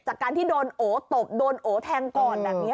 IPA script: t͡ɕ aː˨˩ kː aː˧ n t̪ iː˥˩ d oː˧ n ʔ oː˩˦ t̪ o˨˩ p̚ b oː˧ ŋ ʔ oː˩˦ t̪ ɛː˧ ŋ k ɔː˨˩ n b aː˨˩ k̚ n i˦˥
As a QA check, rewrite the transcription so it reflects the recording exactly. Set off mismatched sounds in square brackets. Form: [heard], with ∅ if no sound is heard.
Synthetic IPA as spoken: t͡ɕ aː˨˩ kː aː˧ n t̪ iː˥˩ d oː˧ n ʔ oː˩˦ t̪ o˨˩ p̚ [d] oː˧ [n] ʔ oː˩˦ [t̪ʰ] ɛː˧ ŋ k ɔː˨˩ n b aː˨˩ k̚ n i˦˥